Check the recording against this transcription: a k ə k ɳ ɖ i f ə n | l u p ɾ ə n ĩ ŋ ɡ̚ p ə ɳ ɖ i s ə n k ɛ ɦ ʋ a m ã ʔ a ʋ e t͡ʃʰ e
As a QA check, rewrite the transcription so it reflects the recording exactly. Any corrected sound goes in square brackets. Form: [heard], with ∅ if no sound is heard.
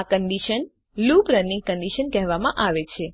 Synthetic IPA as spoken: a k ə [∅] ɳ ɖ i [ʃ] ə n | l u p ɾ ə n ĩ ŋ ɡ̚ [k] ə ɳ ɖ i [ʃ] ə n k ɛ ɦ ʋ a m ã ʔ a ʋ e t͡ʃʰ e